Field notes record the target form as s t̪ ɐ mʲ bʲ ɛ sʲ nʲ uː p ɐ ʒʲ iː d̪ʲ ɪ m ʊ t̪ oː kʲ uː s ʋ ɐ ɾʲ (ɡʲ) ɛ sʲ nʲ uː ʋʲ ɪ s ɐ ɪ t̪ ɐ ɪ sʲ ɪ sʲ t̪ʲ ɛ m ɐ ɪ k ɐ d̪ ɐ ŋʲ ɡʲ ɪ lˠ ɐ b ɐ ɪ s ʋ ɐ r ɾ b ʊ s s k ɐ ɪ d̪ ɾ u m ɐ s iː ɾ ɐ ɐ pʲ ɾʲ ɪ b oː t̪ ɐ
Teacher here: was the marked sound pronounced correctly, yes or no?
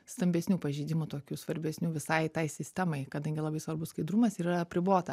no